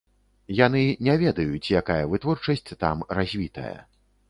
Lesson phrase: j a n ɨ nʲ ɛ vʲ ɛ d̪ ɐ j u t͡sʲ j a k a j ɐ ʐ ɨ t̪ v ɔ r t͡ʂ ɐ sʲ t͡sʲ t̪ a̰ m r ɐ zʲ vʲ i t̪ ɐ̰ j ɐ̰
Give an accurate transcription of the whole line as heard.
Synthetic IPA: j a n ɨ nʲ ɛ vʲ ɛ d̪ ɐ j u t͡sʲ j a k a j ɐ v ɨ t̪ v ɔ r t͡ʂ ɐ sʲ t͡sʲ t̪ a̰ m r a zʲ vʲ i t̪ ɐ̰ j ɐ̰